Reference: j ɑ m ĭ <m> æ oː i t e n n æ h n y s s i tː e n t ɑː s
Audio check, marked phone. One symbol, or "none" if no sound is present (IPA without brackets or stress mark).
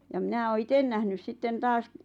n